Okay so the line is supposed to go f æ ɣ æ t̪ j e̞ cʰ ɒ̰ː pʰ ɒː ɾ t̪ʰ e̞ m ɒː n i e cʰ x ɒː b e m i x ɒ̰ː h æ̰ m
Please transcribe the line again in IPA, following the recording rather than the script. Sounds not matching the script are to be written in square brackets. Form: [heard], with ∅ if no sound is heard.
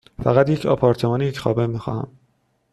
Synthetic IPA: f æ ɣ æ t̪ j e̞ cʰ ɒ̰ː pʰ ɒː ɾ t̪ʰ e̞ m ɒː n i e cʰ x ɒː b e m i x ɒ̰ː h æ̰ m